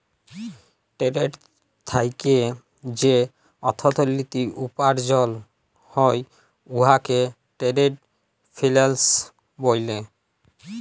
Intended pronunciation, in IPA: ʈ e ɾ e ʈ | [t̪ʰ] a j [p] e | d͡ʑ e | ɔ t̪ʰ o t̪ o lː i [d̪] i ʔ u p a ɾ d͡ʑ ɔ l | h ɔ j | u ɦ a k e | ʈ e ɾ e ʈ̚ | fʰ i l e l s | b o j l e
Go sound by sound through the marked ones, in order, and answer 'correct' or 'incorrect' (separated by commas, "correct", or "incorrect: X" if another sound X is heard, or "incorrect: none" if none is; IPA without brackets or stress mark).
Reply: correct, incorrect: k, incorrect: t̪